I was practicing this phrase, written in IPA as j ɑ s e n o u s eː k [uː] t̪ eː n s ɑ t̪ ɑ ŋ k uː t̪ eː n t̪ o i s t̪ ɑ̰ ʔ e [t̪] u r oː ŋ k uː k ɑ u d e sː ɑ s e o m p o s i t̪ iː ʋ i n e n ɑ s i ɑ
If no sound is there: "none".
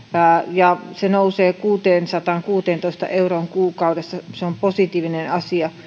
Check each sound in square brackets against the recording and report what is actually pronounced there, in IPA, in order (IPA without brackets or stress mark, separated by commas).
uː, none